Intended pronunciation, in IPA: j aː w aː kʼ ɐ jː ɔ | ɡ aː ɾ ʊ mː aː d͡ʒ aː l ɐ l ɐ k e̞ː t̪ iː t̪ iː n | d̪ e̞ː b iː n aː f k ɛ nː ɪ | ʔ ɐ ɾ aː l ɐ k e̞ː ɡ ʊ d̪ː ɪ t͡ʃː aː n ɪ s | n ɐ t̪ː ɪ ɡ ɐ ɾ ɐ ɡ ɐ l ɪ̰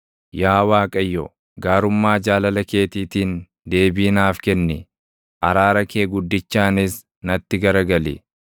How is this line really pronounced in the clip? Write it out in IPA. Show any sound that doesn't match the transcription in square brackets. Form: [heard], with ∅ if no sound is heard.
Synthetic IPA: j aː w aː kʼ ɐ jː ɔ | ɡ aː ɾ ʊ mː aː d͡ʒ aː l ɐ l ɐ k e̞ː t̪ iː t̪ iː n | d̪ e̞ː b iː n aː f k ɛ nː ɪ | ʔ ɐ ɾ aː [ɾ] ɐ k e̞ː ɡ ʊ d̪ː ɪ t͡ʃː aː n ɪ s | n ɐ t̪ː ɪ ɡ ɐ ɾ ɐ ɡ ɐ l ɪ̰